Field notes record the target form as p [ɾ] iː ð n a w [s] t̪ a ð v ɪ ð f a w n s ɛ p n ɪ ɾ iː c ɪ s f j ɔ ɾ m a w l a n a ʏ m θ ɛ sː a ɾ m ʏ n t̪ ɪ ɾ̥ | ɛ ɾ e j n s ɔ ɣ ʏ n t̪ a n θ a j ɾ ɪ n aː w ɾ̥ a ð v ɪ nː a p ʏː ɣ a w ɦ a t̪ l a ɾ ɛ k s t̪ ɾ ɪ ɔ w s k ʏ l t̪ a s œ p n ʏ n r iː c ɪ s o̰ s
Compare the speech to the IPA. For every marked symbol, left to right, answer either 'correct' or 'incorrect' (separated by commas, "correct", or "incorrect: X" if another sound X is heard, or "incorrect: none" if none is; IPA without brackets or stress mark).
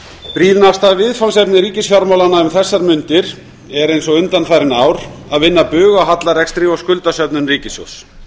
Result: correct, correct